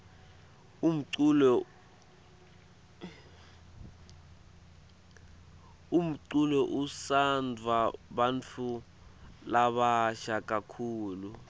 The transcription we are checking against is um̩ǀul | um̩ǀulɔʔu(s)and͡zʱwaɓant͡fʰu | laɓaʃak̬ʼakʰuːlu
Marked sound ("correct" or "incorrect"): correct